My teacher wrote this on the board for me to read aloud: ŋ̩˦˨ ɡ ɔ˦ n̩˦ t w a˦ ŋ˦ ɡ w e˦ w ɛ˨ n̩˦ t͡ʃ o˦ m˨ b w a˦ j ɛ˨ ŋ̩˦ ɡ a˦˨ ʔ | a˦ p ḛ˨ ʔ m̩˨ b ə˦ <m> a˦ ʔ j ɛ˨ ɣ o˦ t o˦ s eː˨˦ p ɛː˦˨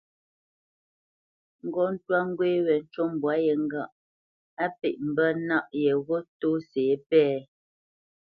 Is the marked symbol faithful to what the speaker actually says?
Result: no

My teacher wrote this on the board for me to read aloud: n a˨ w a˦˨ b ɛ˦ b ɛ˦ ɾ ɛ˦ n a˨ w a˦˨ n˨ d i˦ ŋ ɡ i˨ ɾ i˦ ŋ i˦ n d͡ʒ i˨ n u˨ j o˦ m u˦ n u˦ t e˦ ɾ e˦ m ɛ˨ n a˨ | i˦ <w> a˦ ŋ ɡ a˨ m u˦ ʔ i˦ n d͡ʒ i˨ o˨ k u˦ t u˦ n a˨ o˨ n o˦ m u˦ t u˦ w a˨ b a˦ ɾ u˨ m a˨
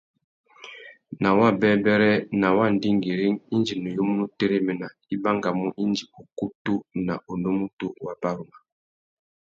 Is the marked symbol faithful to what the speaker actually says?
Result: no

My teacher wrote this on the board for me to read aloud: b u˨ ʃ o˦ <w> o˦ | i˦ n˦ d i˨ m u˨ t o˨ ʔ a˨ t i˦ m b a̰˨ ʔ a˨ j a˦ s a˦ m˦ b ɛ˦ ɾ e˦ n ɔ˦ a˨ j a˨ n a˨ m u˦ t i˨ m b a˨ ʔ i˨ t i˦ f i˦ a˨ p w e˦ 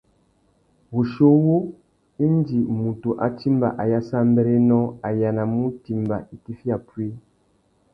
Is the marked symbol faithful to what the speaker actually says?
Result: yes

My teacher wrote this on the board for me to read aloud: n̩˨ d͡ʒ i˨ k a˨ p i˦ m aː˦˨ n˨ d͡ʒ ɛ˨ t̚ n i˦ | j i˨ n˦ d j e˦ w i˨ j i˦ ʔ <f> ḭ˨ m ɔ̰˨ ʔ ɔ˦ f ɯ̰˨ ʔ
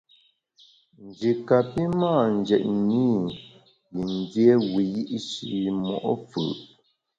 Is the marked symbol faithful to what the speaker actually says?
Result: no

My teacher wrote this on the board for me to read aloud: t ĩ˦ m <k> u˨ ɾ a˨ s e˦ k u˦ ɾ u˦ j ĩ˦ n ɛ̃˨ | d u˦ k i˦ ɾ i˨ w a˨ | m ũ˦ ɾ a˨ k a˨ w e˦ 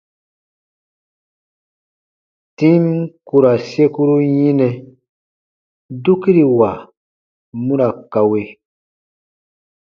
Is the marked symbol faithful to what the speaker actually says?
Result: yes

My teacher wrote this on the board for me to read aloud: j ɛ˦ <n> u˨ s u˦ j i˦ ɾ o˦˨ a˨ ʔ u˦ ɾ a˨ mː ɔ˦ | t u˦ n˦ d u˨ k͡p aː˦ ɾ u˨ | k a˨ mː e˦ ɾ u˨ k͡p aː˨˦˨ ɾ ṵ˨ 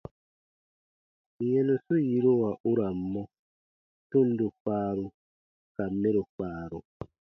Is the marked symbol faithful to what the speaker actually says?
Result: yes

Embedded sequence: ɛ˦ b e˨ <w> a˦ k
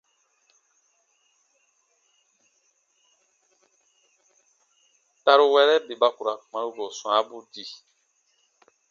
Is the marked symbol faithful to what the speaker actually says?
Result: no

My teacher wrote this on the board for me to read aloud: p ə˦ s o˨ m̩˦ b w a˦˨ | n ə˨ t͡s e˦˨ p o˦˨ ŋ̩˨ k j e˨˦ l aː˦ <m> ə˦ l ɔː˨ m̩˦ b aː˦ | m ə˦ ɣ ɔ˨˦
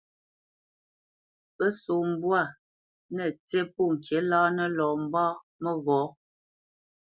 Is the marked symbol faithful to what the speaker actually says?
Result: no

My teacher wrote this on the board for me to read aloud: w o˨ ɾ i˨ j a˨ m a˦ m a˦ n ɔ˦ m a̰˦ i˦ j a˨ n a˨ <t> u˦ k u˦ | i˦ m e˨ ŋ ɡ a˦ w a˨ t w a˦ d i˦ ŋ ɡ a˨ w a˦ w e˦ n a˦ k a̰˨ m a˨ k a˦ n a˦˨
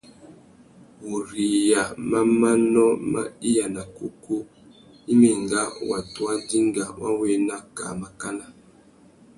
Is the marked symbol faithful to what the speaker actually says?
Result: no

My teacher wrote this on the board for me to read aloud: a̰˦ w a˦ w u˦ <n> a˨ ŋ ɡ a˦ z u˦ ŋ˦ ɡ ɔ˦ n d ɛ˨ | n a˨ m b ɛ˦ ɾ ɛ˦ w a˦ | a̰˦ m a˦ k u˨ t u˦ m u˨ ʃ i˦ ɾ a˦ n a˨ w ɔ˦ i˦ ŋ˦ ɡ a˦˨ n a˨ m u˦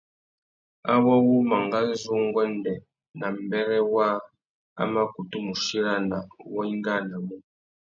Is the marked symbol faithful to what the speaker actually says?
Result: no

